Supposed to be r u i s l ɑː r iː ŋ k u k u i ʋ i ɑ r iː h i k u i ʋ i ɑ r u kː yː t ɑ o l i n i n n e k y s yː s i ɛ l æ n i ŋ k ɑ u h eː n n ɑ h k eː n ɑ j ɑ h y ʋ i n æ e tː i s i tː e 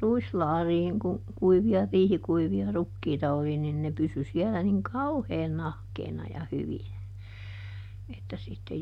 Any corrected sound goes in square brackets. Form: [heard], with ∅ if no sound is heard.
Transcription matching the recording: r u i s l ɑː r iː ŋ k u k u i ʋ i ɑ r iː h i k u i ʋ i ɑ r u kː [iː] t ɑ o l i n i n n e [p] y s [y] s i ɛ l æ n i ŋ k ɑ u h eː n n ɑ h k eː n ɑ j ɑ h y ʋ i n æ e tː [æ] s i tː e

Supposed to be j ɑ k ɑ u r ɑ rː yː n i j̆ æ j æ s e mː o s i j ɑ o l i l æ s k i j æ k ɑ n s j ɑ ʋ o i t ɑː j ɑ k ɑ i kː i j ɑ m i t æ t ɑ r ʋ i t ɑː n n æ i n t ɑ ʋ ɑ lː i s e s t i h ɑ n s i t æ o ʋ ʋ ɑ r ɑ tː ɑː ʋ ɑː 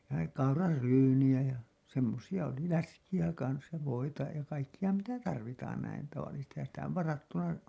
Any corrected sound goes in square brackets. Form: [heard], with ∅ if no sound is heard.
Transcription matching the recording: j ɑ k ɑ u r ɑ rː yː n i j̆ æ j æ s e mː o s i j ɑ o l i l æ s k i j æ k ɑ n s j ɑ ʋ o i t [ɑ] j ɑ k ɑ i kː i j ɑ m i t æ t ɑ r ʋ i t ɑː n n æ i n t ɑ ʋ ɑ lː i s e s t i h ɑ n s i t æ o ʋ ʋ ɑ r ɑ tː [ɑ] ʋ [ɑ]

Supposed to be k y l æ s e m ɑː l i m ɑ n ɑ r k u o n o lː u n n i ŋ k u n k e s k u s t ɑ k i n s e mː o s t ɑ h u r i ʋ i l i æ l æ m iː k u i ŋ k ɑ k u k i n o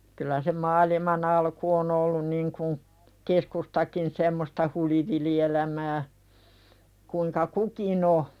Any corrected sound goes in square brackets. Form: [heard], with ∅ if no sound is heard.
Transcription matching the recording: k y l æ s e m ɑː l i m ɑ n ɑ [l] k u o n o lː u n n i ŋ k u n k e s k u s t ɑ k i n s e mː o s t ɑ h u [l] i ʋ i l i [e] l æ m [æː] k u i ŋ k ɑ k u k i n o

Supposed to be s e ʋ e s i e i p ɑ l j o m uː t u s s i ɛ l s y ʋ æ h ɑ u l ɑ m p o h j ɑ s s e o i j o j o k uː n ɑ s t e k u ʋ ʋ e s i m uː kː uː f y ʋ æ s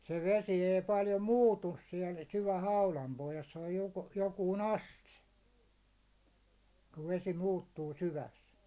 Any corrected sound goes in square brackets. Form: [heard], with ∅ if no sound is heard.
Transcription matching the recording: s e ʋ e s i e i p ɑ l j o m uː t u s s i ɛ l s y ʋ æ h ɑ u l ɑ m p o h j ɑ s s e o [j] j o j o k uː n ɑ s t e k u ʋ ʋ e s i m uː [tː] uː [s] y ʋ æ s

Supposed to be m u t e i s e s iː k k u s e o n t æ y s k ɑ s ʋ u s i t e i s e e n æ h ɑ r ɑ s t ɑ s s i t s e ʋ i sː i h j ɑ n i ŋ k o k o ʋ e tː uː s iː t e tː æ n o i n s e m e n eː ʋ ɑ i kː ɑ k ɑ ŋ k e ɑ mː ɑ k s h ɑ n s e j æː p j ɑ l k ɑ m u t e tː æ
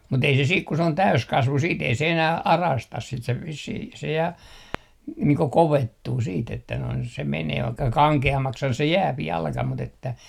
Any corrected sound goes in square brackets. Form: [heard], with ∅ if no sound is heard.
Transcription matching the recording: m u t e i s e s iː k k u s e o n t æ y s k ɑ s ʋ u s [iː] t e i s e e n æ h ɑ r ɑ s t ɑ s s i t s e ʋ i sː i h j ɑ n [iː] ŋ k o k o ʋ e tː uː s iː t e tː æ n o i n s e m e n eː ʋ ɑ i kː ɑ k ɑ ŋ k e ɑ mː ɑ k s h ɑ n s e j æː p j ɑ l k ɑ m u t e tː æ

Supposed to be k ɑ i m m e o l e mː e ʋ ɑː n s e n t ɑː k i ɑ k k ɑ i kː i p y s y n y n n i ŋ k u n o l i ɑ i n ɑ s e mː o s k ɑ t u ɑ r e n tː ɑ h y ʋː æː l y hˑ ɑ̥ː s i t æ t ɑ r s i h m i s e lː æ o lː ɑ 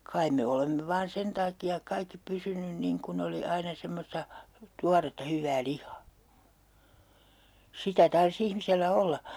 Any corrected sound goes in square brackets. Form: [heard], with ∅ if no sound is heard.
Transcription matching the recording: k ɑ i m m e o l e mː e ʋ ɑː n s e n t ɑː k i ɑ k k ɑ i kː i p y s y n y n n i ŋ k u n o l i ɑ i n ɑ s e mː o s [t] ɑ t u ɑ r e [∅] tː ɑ h y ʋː æː l [i] hˑ ɑ̥ː s i t æ t ɑ r s i h m i s e lː æ o lː ɑ

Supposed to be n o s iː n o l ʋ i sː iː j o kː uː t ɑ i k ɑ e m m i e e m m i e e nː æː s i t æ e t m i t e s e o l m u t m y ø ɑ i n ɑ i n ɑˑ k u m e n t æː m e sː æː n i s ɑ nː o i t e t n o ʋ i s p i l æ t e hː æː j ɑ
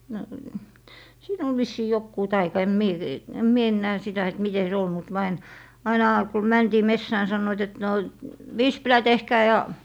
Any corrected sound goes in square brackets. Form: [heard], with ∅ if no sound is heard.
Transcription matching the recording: n o s iː n o l ʋ i sː iː j o kː uː t ɑ i k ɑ e m m i e e m m i e e nː æː s i t æ e t m i t e s e o l m u t m y ø ɑ i n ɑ i n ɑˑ k u m [æ] n t [iː] m e sː æː n i s ɑ nː o i t e t n o ʋ i s p i l æ t e hː æː j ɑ

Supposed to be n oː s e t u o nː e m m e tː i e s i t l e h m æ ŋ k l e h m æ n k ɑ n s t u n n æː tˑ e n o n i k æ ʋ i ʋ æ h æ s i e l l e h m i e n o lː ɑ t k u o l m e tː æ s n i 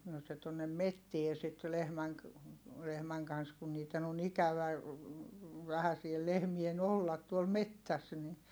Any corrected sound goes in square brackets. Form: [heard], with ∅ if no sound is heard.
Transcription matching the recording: n oː s e t u o nː e m m e tː i e s i t l e h m æ ŋ k l e h m æ [ŋ] k ɑ n s [k] u n n [iː] tˑ e n o n i k æ ʋ [æ] ʋ æ h æ s i e l l e h m i e n o lː ɑ t [t] u o l m e tː æ s n i

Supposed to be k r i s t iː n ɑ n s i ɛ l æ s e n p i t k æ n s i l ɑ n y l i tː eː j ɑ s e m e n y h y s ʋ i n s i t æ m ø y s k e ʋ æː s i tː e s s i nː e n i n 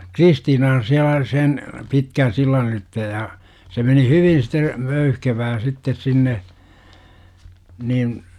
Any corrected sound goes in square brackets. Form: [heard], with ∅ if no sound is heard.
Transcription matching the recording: k r i s t iː n ɑ n s i [æ] l æ s e n p i t k æ n s i [lː] ɑ n y l i tː [e] j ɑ s e m e n [i] h y [∅] ʋ i n s i t [e] m ø y [h] k e ʋ æː s i tː e s s i nː e n i n

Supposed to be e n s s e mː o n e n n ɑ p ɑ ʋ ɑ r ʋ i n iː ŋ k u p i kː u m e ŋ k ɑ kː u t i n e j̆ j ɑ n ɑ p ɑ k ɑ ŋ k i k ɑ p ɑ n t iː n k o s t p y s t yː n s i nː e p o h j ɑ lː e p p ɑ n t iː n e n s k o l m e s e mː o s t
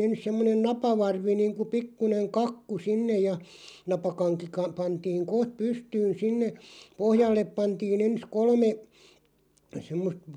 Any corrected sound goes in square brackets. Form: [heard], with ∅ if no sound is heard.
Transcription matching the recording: e n s s e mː o n e n n ɑ p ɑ ʋ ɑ r ʋ i n iː ŋ k u p i kː u [n] e ŋ k ɑ kː u [s] i [nː] e j̆ j ɑ n ɑ p ɑ k ɑ ŋ k i k ɑ p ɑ n t iː [ŋ] k o [h] t p y s t yː n s i nː e p o h j ɑ lː e p p ɑ n t iː n e n s k o l m e s e mː o s t

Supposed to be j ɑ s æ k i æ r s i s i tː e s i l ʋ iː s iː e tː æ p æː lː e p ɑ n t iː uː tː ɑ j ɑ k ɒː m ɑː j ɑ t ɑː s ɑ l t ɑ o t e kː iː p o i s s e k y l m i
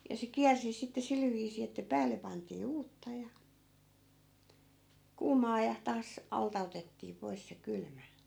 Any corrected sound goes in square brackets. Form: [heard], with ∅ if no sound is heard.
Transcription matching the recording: j ɑ s [e] k i æ r s i s i tː e s i l ʋ iː s iː e tː æ p æː lː e p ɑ n t iː uː tː ɑ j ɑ k [uː] m ɑː j ɑ t ɑː s ɑ l t ɑ o t e [tː] iː p o i s s e k y l m [æ]

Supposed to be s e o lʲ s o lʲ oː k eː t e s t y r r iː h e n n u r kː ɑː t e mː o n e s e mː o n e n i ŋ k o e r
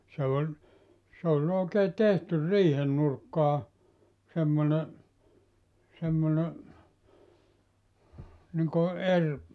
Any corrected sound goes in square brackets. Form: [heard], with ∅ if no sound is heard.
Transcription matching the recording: s e o lʲ s o lʲ oː k eː t e [h] t y r r iː h e n n u r kː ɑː [s] e mː o n e s e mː o n e n i ŋ k o e r

